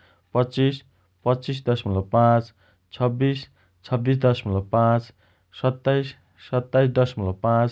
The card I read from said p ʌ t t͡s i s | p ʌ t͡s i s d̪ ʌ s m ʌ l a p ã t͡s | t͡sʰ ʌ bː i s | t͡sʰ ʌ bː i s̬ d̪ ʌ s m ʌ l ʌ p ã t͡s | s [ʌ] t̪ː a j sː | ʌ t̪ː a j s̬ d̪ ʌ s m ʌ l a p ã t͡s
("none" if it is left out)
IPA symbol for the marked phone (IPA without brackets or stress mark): ʌ